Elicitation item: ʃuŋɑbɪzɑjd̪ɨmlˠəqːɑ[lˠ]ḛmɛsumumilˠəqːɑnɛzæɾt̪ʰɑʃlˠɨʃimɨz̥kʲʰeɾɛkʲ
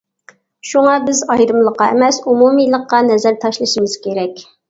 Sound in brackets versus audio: incorrect: none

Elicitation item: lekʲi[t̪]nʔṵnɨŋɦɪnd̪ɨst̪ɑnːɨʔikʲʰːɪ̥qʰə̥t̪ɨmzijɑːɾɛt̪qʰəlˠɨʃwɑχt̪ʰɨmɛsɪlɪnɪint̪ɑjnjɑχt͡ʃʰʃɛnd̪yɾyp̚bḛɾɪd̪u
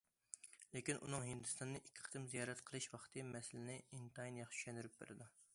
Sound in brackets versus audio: incorrect: none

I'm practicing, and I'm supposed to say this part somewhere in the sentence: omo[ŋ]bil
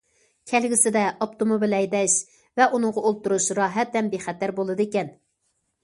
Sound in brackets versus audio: incorrect: none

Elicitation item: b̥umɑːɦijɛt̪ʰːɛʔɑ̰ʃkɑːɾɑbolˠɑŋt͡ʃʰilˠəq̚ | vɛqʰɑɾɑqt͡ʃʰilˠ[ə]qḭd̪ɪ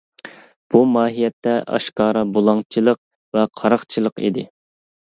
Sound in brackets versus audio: correct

